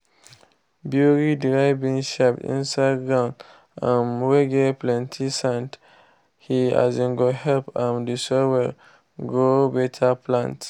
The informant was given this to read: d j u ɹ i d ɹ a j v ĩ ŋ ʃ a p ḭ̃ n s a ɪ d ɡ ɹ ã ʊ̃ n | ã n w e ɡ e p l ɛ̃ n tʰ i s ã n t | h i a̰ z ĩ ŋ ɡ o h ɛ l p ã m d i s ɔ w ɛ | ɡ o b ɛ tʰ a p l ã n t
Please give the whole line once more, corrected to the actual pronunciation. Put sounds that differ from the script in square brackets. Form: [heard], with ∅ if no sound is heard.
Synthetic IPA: [b] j u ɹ i d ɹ a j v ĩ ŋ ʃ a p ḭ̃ n s a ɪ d ɡ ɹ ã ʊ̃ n | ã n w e ɡ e p l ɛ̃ n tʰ i s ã n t | h i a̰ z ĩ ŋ ɡ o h ɛ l p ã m d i s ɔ w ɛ | ɡ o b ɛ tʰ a p l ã n t